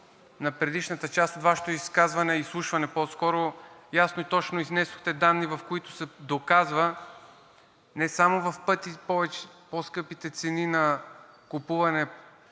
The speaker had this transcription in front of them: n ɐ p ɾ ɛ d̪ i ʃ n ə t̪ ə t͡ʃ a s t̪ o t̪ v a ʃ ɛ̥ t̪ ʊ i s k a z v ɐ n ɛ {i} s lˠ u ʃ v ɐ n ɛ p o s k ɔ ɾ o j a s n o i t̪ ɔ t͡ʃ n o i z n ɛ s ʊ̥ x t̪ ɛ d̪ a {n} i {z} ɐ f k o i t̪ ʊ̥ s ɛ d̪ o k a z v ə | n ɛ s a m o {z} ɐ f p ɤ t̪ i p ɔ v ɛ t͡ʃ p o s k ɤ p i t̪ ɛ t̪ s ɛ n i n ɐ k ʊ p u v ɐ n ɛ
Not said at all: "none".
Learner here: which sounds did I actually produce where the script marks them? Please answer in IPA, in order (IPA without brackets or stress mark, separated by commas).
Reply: i, nː, v, v